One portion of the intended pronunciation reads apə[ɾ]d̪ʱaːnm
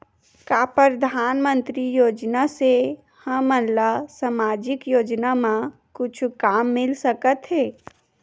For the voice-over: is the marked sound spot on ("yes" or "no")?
yes